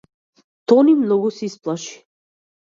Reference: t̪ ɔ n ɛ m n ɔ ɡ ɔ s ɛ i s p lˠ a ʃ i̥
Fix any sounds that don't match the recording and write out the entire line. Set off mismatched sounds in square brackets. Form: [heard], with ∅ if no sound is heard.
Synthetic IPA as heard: t̪ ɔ n [i] m n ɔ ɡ [u] s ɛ i s p lˠ a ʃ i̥